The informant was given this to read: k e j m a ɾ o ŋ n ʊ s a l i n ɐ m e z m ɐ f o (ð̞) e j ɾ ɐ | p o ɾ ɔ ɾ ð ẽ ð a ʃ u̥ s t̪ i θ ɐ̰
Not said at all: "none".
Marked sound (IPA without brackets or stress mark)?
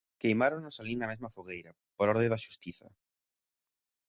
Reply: ɣ̞